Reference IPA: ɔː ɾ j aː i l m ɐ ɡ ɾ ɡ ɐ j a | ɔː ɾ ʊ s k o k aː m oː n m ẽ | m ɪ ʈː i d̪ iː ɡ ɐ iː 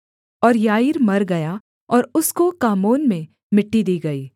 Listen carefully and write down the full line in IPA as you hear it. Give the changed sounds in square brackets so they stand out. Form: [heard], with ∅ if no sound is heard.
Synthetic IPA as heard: ɔː ɾ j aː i [ɾ] m ɐ [∅] ɾ ɡ ɐ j a | ɔː ɾ ʊ s k o k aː m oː n m ẽ | m ɪ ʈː i d̪ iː ɡ ɐ iː